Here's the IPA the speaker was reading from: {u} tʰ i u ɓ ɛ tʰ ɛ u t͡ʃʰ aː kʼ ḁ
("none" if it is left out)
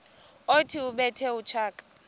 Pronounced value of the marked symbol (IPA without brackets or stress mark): o